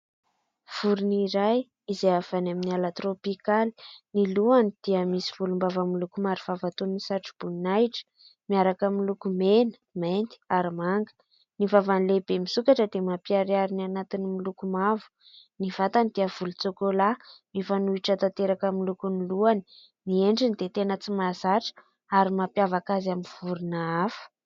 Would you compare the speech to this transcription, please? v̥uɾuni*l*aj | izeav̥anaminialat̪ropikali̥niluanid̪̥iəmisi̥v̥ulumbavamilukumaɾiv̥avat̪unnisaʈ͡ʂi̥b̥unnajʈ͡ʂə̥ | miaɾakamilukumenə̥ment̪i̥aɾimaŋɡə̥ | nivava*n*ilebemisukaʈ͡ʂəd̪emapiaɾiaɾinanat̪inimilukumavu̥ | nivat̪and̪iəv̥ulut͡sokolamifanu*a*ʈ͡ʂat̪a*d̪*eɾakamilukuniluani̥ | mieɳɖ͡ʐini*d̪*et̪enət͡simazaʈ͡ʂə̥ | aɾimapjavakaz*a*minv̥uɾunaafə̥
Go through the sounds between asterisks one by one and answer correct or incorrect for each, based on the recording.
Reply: incorrect: ɾ, correct, incorrect: i, incorrect: t̪, correct, correct

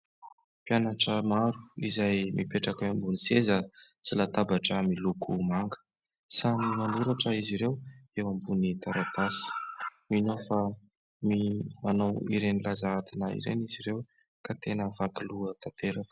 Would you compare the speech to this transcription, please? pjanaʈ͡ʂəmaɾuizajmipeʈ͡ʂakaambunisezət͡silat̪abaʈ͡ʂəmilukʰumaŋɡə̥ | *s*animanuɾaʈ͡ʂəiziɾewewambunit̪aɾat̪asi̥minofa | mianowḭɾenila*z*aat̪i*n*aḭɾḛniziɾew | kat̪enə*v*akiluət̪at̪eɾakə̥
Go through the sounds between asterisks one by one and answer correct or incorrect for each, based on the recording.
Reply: correct, correct, correct, correct

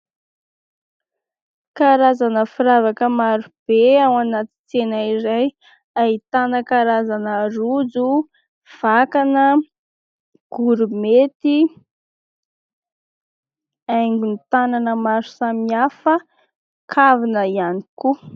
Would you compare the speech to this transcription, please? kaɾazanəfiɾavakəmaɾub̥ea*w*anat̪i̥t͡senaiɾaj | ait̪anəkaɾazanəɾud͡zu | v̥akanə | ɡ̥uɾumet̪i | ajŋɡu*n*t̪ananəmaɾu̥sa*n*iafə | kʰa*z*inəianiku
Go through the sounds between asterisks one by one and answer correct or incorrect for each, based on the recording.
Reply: correct, correct, incorrect: m, incorrect: v

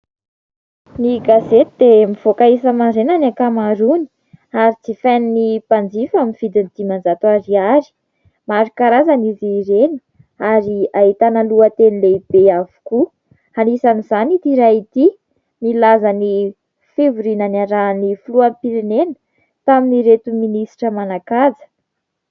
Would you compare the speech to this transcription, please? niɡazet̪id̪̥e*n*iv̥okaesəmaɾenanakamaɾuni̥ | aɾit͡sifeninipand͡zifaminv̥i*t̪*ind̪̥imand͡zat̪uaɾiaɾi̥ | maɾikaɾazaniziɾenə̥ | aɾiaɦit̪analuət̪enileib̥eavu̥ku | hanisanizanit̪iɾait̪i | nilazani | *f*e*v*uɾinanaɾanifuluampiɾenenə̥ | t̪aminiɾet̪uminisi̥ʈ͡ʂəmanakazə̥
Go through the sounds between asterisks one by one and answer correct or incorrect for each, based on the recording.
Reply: incorrect: m, incorrect: d̪, correct, correct

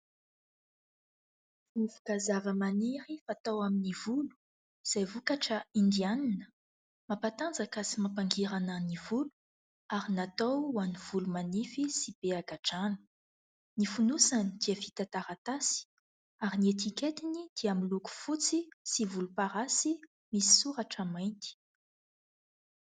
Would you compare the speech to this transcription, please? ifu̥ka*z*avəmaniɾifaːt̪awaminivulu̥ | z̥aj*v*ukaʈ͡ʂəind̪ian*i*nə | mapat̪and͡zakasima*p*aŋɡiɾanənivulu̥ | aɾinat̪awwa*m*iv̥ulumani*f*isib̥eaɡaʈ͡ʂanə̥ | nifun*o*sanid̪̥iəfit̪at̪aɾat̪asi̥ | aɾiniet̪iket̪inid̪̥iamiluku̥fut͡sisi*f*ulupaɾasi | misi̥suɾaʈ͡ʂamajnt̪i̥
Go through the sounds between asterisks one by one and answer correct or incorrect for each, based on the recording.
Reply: correct, correct, correct, correct, incorrect: n, correct, incorrect: u, incorrect: v

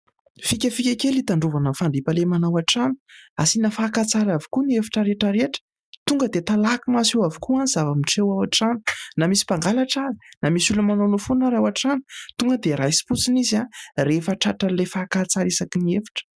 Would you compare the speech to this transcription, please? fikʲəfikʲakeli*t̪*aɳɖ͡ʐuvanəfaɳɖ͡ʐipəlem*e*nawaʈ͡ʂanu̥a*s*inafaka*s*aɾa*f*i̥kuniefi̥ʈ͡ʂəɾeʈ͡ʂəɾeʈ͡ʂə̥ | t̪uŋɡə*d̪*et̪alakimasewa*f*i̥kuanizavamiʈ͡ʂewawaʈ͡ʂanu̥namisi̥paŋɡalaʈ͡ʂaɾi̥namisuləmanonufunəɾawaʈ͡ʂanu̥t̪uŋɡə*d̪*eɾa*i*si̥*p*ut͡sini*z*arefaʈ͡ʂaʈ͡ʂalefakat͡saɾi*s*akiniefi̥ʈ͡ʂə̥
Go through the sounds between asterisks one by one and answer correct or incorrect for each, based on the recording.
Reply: correct, incorrect: a, correct, incorrect: t͡s, incorrect: v, correct, incorrect: v, correct, incorrect: j, correct, correct, correct

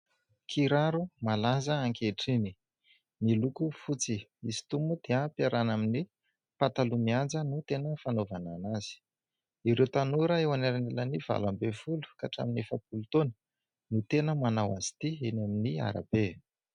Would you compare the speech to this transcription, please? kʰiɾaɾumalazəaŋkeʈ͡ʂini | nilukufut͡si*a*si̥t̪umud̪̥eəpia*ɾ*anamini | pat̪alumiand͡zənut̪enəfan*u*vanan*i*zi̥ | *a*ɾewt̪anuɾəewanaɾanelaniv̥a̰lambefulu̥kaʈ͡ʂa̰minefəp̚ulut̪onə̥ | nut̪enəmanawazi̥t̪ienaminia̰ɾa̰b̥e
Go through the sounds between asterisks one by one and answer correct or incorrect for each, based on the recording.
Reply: incorrect: i, correct, incorrect: o, incorrect: a, incorrect: i

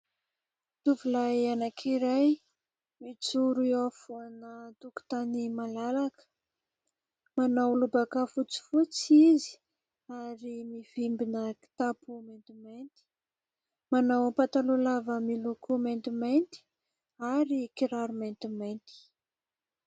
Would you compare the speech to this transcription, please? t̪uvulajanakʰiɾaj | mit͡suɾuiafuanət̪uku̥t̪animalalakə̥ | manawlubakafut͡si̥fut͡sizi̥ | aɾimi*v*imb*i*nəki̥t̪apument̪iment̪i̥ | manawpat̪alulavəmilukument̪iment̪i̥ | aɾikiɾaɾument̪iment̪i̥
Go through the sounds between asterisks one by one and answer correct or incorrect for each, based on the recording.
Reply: correct, correct

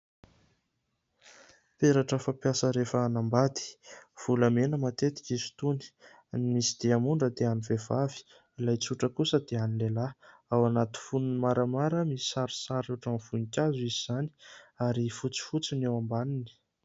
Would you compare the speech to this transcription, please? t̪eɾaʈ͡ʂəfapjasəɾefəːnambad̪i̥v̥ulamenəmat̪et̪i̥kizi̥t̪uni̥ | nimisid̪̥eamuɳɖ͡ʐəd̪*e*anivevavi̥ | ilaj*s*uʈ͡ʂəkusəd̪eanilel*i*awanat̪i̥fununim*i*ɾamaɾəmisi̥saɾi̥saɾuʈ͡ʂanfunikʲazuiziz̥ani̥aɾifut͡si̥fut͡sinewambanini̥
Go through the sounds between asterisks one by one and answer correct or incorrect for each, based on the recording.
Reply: correct, incorrect: t͡s, incorrect: a, incorrect: a

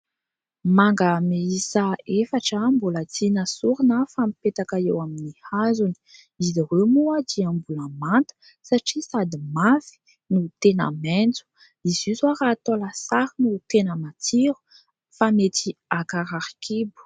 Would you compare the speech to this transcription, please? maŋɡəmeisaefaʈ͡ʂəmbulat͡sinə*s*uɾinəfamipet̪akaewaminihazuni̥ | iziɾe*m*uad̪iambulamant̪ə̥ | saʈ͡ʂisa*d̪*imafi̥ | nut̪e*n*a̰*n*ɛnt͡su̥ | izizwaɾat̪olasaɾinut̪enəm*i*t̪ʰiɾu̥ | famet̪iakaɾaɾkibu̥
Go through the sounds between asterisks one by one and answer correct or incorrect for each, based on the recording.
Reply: correct, correct, correct, correct, incorrect: m, incorrect: a

